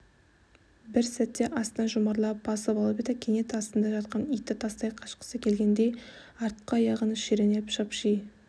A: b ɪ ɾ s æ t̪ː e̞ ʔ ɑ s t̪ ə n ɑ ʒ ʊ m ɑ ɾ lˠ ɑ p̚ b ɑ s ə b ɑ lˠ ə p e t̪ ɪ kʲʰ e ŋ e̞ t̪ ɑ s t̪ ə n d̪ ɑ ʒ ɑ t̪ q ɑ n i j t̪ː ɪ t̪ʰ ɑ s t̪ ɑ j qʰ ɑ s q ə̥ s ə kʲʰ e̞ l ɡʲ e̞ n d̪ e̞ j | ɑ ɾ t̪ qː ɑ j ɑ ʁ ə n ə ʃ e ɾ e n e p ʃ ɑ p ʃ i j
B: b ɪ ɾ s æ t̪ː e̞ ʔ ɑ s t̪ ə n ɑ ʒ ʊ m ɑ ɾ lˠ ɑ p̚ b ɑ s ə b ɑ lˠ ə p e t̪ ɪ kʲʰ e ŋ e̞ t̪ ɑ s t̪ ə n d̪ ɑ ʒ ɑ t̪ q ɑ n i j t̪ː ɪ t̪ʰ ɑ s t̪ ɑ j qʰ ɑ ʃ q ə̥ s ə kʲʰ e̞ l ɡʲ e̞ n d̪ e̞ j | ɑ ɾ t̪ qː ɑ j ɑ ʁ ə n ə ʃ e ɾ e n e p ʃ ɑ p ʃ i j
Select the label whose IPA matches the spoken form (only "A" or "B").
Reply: B